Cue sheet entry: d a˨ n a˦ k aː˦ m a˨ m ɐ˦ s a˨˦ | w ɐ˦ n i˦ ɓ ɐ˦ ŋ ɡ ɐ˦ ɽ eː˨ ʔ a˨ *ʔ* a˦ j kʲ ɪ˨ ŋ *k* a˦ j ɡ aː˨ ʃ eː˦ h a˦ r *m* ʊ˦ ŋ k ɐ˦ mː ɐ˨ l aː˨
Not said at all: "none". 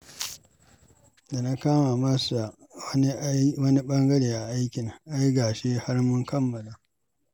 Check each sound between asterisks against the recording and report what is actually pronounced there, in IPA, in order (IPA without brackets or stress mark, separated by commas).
ʔ, ʔ, m